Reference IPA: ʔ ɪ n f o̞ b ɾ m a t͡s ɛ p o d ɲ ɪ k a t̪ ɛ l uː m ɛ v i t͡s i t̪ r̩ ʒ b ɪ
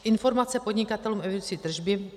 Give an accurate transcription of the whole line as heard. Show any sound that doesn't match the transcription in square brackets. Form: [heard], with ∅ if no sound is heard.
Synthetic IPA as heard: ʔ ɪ n f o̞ [∅] ɾ m a t͡s ɛ p o d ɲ ɪ k a t̪ ɛ l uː m ɛ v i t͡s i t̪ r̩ ʒ b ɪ